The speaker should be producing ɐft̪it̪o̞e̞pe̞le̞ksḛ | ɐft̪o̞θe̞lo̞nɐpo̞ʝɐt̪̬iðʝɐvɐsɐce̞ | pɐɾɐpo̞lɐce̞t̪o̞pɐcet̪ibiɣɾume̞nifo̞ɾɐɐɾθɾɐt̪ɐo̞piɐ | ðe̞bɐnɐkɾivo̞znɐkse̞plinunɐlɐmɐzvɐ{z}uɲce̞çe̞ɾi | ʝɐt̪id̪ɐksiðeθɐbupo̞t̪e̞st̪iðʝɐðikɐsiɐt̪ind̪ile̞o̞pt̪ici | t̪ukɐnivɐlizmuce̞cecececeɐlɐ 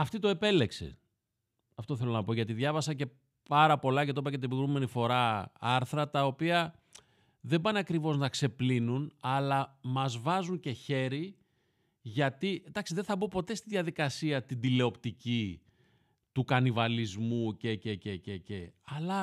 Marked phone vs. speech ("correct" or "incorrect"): correct